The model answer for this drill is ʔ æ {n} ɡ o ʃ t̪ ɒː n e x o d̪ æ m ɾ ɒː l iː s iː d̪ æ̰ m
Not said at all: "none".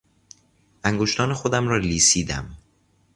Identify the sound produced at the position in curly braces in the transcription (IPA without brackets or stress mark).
ŋ